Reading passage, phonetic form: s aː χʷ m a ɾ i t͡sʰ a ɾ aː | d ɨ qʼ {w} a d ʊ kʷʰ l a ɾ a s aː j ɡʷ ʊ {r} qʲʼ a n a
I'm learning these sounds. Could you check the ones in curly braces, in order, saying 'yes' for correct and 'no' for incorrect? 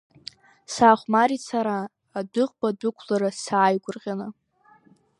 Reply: no, yes

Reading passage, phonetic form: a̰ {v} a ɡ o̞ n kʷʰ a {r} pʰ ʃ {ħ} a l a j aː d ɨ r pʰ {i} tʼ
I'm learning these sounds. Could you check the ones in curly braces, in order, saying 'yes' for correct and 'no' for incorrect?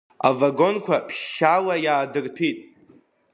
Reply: yes, no, no, yes

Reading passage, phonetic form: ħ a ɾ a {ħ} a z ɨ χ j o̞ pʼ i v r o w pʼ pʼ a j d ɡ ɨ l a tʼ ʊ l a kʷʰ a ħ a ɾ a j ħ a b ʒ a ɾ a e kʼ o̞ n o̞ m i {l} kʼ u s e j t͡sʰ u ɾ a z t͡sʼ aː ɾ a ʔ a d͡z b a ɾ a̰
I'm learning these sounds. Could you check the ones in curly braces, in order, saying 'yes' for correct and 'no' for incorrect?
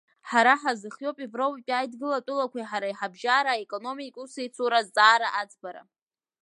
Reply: yes, no

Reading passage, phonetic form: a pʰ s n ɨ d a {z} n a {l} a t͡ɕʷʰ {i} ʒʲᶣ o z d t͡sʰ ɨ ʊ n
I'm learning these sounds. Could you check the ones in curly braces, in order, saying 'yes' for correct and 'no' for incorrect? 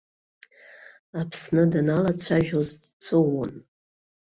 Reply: no, yes, no

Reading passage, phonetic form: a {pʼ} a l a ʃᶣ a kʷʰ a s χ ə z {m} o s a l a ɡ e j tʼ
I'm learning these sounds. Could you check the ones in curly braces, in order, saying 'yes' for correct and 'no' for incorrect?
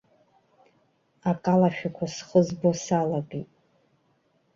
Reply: no, no

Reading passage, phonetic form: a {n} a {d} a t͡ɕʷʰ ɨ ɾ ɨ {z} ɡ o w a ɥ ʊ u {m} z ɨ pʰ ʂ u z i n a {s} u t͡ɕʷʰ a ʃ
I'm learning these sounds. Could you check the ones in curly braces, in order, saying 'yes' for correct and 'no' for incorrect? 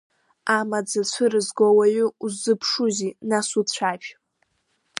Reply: no, no, yes, no, yes

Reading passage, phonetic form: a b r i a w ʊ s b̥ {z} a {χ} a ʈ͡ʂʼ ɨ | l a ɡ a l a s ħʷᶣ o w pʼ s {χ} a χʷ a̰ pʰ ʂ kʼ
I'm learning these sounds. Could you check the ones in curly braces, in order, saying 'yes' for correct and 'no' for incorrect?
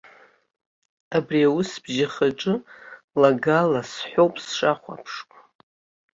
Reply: no, yes, no

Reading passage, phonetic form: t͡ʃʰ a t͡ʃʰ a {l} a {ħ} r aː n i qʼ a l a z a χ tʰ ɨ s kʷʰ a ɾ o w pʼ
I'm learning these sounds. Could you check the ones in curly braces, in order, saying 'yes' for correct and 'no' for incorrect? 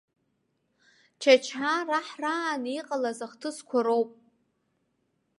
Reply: no, yes

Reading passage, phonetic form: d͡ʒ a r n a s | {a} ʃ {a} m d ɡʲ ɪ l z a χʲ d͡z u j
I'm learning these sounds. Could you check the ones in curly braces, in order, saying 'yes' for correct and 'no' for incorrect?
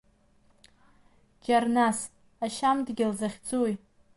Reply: yes, yes

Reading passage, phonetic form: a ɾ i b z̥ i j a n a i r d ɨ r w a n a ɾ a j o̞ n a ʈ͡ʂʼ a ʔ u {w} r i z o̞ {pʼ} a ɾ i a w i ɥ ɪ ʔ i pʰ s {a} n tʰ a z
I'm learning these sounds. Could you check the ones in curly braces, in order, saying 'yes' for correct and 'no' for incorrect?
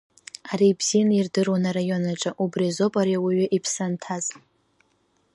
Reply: no, yes, yes

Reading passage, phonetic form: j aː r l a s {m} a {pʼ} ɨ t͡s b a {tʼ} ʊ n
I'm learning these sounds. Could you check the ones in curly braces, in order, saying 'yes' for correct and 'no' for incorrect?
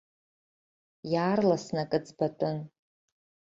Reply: no, no, yes

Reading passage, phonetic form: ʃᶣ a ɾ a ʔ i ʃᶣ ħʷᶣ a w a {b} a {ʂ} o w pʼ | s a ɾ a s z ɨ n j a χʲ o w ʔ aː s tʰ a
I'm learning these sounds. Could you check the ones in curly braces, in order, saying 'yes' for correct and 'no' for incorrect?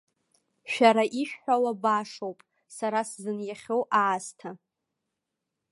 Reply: yes, yes

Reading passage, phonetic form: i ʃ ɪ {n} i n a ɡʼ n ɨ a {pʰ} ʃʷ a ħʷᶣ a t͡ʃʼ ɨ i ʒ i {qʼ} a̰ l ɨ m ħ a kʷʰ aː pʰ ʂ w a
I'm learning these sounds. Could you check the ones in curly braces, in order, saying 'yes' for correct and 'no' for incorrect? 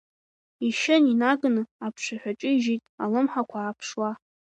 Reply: yes, yes, no

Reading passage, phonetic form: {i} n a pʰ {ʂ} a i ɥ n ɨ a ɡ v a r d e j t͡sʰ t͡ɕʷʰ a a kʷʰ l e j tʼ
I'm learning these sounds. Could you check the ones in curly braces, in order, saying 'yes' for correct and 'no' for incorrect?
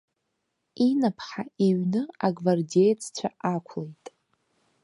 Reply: yes, no

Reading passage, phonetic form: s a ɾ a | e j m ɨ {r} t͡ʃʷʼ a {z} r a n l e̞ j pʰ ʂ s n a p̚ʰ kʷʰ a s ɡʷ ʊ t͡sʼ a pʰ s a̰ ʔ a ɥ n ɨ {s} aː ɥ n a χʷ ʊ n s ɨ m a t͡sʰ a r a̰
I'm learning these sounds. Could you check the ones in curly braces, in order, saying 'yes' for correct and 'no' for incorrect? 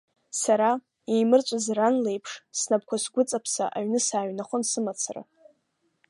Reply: yes, yes, yes

